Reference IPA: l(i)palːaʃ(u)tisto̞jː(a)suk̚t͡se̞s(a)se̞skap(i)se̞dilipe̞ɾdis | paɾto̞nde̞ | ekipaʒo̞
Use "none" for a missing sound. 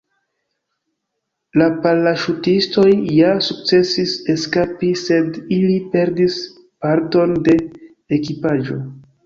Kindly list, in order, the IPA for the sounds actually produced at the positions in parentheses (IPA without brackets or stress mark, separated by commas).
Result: a, u, a, i, i